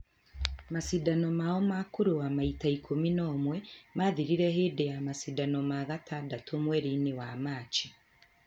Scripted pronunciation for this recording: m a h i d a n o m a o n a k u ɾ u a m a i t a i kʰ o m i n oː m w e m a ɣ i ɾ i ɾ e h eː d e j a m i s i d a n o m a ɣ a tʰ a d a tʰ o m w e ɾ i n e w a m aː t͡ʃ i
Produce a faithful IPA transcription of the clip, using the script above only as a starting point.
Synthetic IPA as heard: m a s i d a n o m a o m a k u ɾ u a m a i t a i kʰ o m i n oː m w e m a ð i ɾ i ɾ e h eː d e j a m a s i d a n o m a ɣ a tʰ a d a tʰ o m w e ɾ i n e w a m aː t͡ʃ i